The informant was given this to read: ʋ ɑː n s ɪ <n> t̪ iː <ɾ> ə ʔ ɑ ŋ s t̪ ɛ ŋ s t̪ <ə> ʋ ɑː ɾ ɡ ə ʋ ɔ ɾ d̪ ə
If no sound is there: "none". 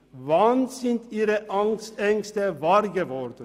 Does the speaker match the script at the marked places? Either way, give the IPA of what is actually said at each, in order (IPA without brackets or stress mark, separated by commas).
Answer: n, ɾ, ə